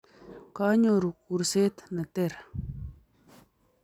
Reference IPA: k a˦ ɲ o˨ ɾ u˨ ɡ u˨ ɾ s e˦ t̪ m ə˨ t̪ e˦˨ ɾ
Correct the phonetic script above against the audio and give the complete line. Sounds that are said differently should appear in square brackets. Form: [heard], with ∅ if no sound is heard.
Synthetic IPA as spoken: k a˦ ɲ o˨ ɾ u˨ [k] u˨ ɾ s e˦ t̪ [n] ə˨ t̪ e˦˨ ɾ